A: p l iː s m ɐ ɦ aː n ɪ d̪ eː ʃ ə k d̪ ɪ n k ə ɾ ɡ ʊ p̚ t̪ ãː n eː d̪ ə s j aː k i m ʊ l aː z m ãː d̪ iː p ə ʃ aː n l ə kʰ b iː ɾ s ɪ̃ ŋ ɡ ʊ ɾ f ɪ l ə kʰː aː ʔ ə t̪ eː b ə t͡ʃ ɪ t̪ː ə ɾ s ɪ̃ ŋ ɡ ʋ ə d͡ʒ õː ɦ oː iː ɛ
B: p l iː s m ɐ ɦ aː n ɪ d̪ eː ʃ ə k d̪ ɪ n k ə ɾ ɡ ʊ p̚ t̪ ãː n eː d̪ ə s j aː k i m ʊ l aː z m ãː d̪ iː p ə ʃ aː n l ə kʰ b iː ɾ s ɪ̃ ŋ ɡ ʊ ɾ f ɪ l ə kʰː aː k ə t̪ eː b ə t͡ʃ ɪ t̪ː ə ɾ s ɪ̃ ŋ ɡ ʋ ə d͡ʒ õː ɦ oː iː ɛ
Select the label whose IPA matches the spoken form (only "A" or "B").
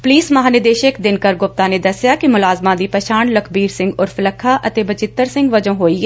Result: A